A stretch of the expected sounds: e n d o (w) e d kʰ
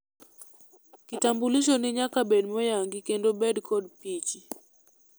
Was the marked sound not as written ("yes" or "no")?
yes